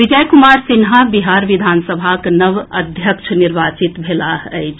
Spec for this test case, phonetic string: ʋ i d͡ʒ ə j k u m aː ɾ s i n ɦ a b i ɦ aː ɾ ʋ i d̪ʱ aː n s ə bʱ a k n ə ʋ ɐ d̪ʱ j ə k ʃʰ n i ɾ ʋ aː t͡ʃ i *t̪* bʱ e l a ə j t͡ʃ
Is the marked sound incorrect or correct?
correct